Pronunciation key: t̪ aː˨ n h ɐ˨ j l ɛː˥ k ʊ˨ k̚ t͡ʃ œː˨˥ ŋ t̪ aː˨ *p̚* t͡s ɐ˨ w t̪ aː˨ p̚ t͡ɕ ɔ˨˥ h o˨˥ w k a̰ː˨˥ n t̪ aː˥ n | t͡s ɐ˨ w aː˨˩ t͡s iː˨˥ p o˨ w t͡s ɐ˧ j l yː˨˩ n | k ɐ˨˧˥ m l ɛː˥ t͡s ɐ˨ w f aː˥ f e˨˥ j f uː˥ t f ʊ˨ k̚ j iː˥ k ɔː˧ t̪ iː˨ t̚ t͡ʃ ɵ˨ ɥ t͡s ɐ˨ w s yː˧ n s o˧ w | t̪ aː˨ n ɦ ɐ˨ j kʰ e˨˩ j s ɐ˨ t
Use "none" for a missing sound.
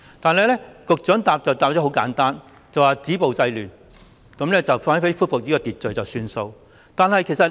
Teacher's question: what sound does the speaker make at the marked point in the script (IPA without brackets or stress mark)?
p̚